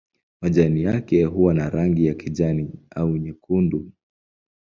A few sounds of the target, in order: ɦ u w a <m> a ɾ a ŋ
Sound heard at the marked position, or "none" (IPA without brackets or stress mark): n